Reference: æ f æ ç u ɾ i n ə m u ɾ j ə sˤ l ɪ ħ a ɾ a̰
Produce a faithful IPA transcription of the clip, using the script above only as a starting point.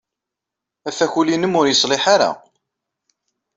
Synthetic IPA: æ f æ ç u l i n ə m ʊ ɾ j ə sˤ l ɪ ħ a ɾ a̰